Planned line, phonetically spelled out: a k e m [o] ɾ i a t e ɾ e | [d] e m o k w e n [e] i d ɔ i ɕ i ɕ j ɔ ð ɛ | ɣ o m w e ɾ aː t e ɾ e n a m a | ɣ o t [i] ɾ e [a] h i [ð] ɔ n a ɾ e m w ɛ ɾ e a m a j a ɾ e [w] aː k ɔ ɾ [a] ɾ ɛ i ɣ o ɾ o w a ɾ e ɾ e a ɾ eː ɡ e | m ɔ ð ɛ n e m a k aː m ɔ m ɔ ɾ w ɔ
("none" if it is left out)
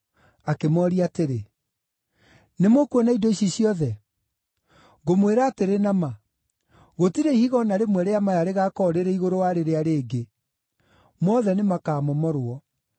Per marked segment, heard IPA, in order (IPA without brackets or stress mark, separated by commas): ɔ, n, a, i, i, ɣ, ɣ, e